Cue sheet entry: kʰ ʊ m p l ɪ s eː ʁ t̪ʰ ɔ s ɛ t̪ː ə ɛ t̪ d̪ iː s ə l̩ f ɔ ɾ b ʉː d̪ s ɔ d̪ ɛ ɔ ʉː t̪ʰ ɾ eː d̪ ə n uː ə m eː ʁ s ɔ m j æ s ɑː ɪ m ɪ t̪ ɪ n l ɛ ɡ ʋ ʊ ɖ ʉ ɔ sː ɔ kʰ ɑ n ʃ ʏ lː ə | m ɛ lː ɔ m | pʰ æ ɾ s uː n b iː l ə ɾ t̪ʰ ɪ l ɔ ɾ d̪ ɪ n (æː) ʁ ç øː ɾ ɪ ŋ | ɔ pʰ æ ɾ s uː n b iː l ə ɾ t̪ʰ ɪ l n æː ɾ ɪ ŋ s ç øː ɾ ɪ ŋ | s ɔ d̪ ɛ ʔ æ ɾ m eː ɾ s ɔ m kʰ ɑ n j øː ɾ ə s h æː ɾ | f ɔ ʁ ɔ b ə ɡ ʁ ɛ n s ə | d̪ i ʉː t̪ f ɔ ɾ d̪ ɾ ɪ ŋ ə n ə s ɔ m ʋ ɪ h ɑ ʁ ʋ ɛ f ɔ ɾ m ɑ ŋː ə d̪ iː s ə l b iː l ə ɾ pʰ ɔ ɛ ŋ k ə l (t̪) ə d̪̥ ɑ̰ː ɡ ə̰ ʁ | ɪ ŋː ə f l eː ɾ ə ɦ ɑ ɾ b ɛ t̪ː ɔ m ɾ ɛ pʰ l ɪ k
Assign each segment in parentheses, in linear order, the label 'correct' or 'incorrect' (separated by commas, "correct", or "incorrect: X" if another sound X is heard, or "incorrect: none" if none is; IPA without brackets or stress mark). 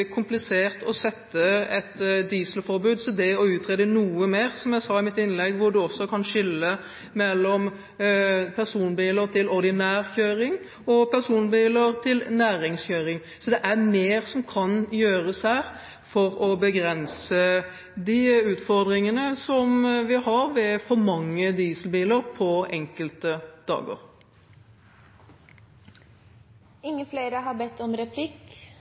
correct, correct